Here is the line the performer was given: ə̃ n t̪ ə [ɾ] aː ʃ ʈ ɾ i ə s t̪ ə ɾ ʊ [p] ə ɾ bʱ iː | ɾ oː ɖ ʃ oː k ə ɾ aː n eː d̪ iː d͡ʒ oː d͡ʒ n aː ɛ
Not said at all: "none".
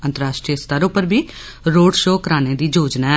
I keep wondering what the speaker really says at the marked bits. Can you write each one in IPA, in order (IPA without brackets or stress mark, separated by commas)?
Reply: ɾ, p